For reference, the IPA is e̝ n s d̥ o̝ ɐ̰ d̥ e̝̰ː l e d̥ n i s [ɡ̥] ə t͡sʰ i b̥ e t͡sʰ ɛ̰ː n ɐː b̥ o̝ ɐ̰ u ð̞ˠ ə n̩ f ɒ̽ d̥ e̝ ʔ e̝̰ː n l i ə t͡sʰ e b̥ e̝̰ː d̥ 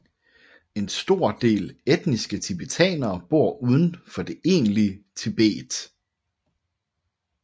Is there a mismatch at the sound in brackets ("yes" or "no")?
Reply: no